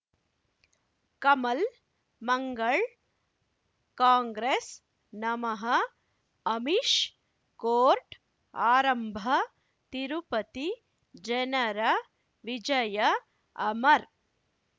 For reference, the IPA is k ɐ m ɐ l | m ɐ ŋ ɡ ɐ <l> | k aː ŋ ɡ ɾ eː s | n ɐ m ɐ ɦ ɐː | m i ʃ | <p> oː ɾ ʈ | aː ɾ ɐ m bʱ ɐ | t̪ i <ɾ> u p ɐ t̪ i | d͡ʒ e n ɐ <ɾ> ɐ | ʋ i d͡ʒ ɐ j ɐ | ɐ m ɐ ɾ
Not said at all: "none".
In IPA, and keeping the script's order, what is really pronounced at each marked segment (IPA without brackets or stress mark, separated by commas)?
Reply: ɭ, k, ɾ, ɾ